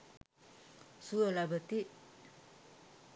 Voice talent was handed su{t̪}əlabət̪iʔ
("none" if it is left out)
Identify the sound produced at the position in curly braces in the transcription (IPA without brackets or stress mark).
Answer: none